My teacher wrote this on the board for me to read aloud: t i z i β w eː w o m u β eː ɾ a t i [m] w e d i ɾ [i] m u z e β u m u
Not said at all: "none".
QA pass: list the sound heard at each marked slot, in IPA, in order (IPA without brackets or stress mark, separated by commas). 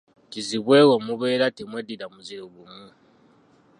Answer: m, a